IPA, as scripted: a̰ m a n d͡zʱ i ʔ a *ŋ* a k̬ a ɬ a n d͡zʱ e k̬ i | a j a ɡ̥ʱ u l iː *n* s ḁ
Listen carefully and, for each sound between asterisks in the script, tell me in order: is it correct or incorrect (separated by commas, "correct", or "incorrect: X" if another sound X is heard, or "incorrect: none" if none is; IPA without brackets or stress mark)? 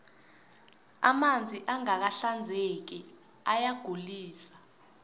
correct, incorrect: none